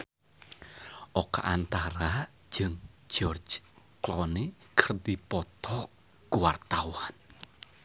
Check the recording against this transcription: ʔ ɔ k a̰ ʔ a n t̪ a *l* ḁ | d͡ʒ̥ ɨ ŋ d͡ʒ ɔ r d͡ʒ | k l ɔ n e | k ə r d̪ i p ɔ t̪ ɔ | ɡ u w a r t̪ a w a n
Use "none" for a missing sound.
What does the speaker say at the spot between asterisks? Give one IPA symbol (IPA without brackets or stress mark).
ɾ